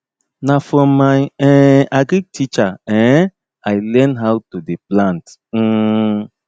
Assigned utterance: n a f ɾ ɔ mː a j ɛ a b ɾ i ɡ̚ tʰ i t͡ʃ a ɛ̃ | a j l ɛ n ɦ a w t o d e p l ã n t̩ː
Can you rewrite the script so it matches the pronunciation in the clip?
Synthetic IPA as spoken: n a f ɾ ɔ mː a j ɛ a ɡ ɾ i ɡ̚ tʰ i t͡ʃ a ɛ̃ | a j l ɛ n ɦ a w t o d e p l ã n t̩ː